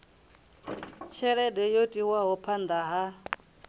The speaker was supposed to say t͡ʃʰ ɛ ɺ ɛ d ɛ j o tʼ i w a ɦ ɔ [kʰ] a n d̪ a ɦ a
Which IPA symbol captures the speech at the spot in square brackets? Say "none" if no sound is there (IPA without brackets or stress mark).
pʰ